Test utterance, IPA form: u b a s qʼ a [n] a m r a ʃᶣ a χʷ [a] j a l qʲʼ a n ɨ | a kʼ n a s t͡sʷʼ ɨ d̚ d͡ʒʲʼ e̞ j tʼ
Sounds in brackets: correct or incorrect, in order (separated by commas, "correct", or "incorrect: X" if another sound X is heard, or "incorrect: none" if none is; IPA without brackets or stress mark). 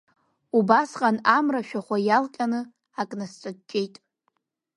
correct, correct